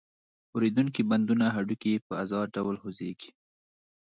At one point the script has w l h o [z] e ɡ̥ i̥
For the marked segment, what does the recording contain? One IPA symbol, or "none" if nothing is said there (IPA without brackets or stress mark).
z